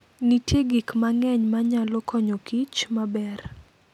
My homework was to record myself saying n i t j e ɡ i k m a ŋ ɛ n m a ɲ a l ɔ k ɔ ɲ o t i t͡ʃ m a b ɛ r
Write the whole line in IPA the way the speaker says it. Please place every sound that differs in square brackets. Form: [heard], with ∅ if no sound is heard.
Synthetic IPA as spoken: n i t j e ɡ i k m a ŋ ɛ [ɲ] m a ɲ a l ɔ k ɔ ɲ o [k] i t͡ʃ m a b ɛ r